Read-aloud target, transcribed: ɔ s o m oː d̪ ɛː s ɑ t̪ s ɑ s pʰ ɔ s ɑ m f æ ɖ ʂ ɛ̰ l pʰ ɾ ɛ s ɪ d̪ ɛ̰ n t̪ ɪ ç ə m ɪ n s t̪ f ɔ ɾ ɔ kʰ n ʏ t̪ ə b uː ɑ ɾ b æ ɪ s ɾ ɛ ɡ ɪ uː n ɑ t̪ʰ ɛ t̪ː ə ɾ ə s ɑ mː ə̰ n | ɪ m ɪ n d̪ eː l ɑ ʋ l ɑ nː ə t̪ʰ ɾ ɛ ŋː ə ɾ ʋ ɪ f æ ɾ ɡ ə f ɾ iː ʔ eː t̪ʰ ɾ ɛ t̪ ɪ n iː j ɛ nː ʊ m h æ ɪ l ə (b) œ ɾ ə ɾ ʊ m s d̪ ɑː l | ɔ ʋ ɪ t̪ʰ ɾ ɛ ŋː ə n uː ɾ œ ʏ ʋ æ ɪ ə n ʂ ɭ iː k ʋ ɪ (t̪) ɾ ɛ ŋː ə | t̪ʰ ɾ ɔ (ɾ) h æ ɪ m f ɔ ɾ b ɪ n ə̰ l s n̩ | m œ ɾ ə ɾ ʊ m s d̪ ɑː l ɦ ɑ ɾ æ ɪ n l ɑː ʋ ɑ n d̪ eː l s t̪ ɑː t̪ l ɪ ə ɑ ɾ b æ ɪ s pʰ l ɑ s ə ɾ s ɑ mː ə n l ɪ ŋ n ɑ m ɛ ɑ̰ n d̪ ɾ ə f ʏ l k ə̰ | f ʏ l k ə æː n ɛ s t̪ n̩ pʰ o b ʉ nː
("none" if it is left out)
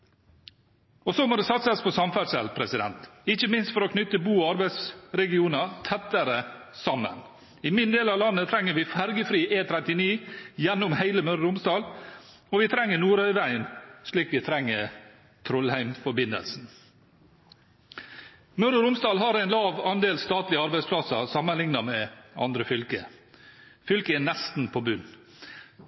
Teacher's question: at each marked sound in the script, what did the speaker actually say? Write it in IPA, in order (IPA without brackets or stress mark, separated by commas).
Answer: m, t̪ʰ, l